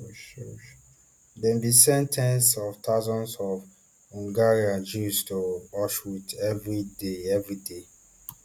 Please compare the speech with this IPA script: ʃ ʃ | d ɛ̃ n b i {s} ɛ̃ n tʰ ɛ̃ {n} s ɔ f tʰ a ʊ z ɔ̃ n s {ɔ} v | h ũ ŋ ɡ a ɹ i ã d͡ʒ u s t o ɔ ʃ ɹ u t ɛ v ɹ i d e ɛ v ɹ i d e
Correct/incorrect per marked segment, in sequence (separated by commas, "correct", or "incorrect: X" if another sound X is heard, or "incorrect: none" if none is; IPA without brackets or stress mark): correct, correct, correct